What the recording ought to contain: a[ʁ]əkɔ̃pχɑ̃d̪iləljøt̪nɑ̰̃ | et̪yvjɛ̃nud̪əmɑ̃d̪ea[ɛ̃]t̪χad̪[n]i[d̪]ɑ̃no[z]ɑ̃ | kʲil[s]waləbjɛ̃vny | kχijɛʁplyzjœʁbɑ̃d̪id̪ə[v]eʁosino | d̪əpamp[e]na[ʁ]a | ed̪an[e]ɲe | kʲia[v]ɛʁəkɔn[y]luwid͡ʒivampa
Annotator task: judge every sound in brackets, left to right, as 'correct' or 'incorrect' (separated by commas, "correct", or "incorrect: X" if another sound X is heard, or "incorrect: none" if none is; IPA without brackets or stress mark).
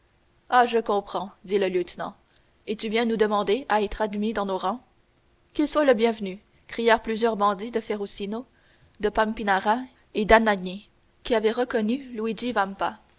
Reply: incorrect: ʒ, incorrect: ɛ, incorrect: m, correct, incorrect: ʁ, correct, incorrect: f, incorrect: i, correct, incorrect: a, correct, correct